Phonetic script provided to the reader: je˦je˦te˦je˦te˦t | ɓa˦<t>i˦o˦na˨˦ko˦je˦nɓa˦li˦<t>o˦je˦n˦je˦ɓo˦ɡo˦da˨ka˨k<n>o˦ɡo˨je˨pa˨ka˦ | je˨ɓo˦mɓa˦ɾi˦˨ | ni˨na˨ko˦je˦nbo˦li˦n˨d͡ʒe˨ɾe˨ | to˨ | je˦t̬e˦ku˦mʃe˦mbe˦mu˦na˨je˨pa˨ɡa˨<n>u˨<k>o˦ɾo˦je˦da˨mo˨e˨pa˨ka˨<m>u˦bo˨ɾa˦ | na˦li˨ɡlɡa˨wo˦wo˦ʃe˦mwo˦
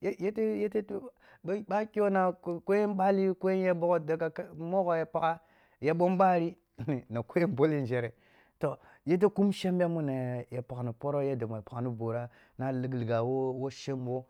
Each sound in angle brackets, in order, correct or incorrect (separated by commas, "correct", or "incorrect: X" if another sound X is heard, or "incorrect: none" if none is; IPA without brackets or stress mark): incorrect: k, incorrect: k, incorrect: m, correct, incorrect: p, incorrect: n